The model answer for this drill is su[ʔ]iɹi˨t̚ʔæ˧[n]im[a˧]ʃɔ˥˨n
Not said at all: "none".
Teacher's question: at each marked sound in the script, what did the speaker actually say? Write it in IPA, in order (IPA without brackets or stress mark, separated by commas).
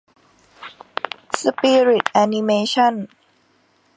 p, n, e˧